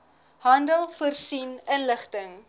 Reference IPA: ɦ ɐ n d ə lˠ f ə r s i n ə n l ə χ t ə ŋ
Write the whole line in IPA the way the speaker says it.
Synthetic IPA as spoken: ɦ ɐ n d ə lˠ f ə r s i n ə n l ə χ t ə ŋ